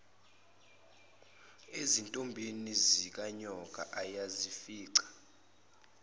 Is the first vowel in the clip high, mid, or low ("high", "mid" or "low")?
mid